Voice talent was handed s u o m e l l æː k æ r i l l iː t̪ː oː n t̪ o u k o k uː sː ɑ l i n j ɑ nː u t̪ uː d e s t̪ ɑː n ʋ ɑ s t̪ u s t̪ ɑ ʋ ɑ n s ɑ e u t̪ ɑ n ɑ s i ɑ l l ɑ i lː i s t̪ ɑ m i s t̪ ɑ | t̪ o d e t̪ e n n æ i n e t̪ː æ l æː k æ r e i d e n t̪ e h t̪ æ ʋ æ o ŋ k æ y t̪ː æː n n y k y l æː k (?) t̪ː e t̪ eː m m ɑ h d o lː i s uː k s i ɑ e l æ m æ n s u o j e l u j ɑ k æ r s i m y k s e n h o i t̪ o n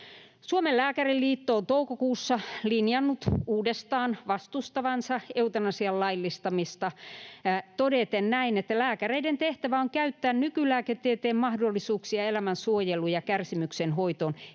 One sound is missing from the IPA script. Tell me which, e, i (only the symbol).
e